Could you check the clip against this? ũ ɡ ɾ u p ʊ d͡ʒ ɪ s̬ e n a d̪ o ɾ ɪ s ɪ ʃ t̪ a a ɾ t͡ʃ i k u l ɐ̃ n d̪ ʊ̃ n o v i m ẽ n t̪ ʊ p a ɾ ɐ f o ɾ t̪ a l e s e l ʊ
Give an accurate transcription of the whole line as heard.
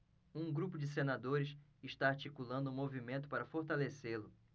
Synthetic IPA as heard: ũ ɡ ɾ u p ʊ d͡ʒ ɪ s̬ e n a d̪ o ɾ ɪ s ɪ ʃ t̪ a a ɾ t͡ʃ i k u l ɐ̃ n d̪ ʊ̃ m o v i m ẽ n t̪ ʊ p a ɾ ɐ f o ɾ t̪ a l e s e l ʊ